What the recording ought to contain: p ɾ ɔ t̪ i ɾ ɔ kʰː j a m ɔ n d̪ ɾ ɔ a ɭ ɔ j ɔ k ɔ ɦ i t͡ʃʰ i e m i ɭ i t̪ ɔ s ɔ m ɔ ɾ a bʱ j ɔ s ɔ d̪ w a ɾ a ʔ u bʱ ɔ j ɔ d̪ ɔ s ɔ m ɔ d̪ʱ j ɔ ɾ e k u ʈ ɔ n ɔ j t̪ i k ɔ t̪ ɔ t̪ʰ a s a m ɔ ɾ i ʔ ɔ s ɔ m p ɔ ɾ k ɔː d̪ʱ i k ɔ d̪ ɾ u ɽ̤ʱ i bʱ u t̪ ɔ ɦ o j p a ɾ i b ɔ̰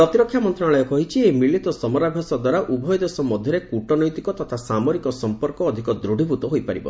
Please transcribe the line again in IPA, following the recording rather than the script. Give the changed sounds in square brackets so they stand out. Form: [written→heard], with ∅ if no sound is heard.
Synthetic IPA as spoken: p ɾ ɔ t̪ i ɾ ɔ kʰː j a m ɔ n [d̪→t̪] ɾ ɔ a ɭ ɔ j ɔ k ɔ ɦ i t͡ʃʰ i e m i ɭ i t̪ ɔ s ɔ m ɔ ɾ a bʱ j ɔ s ɔ d̪ w a ɾ a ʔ u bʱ ɔ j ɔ d̪ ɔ s ɔ m ɔ d̪ʱ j ɔ ɾ e k u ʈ ɔ n ɔ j t̪ i k ɔ t̪ ɔ t̪ʰ a s a m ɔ ɾ i [ʔ→k] ɔ s ɔ m p ɔ ɾ k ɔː d̪ʱ i k ɔ d̪ ɾ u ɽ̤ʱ i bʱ u t̪ ɔ ɦ o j p a ɾ i b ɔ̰